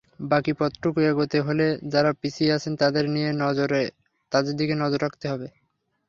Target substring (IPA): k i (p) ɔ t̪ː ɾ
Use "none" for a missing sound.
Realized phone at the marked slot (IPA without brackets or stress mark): p